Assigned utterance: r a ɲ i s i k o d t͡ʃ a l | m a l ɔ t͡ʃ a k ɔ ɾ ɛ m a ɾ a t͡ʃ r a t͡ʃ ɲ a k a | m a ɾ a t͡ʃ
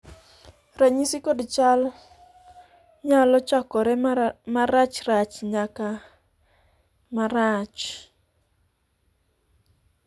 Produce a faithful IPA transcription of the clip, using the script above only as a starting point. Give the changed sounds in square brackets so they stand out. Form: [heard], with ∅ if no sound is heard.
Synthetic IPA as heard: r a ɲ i s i k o d t͡ʃ a l | [ɲ] a l ɔ t͡ʃ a k ɔ ɾ ɛ m a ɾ a t͡ʃ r a t͡ʃ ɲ a k a | m a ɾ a t͡ʃ

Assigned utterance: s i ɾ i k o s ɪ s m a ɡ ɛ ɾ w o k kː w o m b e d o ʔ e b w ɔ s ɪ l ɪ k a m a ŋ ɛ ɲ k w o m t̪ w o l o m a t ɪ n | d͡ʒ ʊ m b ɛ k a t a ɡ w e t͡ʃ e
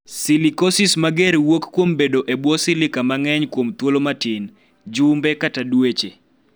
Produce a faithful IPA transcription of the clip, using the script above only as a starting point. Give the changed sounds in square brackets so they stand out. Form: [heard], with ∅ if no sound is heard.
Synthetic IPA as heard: s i [l] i k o s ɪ s m a ɡ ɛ ɾ w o k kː w o m b e d o ʔ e b w ɔ s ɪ l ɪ k a m a ŋ ɛ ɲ k w o m t̪ w o l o m a t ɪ n | d͡ʒ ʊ m b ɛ k a t a [d] w e t͡ʃ e

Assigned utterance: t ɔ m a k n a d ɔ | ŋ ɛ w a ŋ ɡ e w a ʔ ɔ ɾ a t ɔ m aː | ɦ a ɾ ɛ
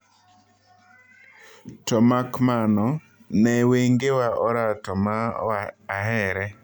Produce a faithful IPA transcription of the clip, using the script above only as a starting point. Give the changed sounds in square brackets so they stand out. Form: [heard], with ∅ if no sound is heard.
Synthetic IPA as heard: t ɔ m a k [m] a [n] ɔ | [n] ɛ w [e] ŋ ɡ e w a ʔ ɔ ɾ a t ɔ m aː | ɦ [ɛ] ɾ ɛ

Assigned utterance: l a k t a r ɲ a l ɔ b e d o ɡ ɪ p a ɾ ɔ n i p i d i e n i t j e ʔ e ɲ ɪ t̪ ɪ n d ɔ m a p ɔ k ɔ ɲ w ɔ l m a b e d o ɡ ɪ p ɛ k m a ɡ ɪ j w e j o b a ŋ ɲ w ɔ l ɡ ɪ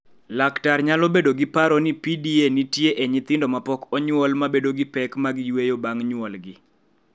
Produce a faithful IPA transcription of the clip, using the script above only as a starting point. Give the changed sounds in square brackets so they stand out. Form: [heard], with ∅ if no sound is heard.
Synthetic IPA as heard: l a k t a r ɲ a l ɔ b e d o ɡ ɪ p a ɾ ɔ n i p i d i e n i t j e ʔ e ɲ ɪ t̪ ɪ n d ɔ m a p ɔ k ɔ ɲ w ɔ l m a b e d o ɡ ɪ p ɛ k m a ɡ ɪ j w e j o b a ŋ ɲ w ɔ l ɡ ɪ

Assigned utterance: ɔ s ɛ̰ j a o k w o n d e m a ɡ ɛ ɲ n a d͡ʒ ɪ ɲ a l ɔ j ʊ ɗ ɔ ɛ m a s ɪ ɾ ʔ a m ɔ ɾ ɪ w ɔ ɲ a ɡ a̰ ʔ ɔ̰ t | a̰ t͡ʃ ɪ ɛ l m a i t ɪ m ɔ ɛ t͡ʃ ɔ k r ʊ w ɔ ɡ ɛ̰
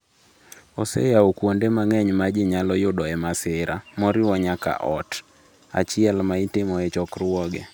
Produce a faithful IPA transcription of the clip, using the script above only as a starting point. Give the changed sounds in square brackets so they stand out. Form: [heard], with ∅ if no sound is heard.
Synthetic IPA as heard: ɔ s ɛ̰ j a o k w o n d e m a [ŋ] ɛ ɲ [m] a d͡ʒ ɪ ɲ a l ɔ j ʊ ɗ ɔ ɛ m a s ɪ ɾ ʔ a m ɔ ɾ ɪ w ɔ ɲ a [k] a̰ ʔ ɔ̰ t | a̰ t͡ʃ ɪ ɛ l m a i t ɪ m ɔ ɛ t͡ʃ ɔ k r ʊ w ɔ ɡ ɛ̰

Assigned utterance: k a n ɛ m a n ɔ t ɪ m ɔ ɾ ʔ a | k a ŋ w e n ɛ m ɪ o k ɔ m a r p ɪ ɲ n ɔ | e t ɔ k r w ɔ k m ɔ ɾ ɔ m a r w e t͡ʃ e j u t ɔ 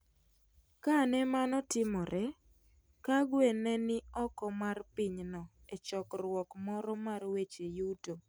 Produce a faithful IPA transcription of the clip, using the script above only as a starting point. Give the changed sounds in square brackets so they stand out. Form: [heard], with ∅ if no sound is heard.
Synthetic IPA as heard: k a n ɛ m a n ɔ t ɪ m ɔ ɾ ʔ [ɛ] | k a [ɡ] w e n ɛ [n] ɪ [ɔ] k ɔ m a r p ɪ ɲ n ɔ | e [t͡ʃ] ɔ k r w ɔ k m ɔ ɾ ɔ m a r w e t͡ʃ e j u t [o]

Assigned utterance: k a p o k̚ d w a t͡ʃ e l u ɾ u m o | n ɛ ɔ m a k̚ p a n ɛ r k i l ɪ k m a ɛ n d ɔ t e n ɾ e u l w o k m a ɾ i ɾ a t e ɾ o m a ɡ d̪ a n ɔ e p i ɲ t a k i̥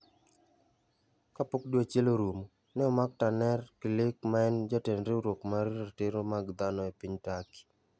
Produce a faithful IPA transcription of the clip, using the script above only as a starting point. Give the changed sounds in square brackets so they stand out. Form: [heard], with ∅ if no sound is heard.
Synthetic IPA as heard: k a p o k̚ d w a t͡ʃ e l [o] ɾ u m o | n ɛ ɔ m a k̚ [t] a n ɛ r k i l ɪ k m a ɛ n [d͡ʒ] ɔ t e n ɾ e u [ɾ] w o k m a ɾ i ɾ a t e ɾ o m a ɡ d̪ a n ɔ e p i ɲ t a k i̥

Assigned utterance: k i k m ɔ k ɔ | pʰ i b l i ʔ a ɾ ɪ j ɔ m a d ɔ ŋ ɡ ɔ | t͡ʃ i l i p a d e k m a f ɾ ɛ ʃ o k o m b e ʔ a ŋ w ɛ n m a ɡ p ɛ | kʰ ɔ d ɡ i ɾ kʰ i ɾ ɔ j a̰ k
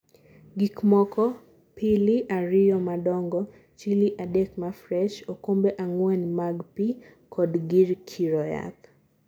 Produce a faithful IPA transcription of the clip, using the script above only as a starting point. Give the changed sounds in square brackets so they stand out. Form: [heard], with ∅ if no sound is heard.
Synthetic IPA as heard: [ɡ] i k m ɔ k ɔ | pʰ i [∅] l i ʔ a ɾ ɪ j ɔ m a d ɔ ŋ ɡ ɔ | t͡ʃ i l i [ʔ] a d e k m a f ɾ ɛ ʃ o k o m b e ʔ a ŋ w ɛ n m a ɡ p [i] | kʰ ɔ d ɡ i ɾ kʰ i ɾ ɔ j a̰ k

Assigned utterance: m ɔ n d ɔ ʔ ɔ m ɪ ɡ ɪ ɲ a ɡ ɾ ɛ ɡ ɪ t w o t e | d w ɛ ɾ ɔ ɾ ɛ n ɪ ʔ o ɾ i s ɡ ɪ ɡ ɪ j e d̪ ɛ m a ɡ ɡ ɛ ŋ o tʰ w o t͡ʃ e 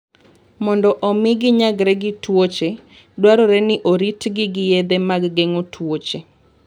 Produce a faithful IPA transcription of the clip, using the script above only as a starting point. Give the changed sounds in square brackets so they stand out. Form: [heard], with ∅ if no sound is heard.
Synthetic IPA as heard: m ɔ n d ɔ ʔ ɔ m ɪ ɡ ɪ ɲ a ɡ ɾ ɛ ɡ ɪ t w o [t͡ʃ] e | d w [a] ɾ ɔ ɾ ɛ n ɪ ʔ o ɾ i [t] ɡ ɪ ɡ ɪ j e d̪ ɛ m a ɡ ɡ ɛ ŋ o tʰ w o t͡ʃ e

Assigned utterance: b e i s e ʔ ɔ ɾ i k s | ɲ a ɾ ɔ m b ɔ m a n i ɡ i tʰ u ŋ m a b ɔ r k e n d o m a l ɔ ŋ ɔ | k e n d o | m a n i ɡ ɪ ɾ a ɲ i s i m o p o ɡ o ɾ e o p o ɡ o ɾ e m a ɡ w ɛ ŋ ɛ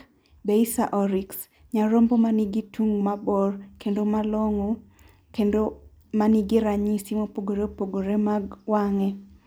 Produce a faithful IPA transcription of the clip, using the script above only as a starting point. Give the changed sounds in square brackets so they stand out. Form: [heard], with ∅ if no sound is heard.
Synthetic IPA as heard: b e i s [a] ʔ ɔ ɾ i k s | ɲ a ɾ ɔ m b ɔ m a n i ɡ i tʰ u ŋ m a b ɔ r k e n d o m a l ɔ ŋ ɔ | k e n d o | m a n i ɡ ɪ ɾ a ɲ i s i m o p o ɡ o ɾ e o p o ɡ o ɾ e m a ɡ w [a] ŋ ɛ

